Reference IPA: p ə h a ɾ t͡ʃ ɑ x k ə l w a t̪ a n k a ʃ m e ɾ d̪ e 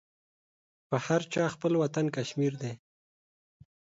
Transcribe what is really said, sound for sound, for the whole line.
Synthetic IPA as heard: p ə h a ɾ t͡ʃ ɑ x p ə l w a t̪ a n k a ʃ m i ɾ d̪ e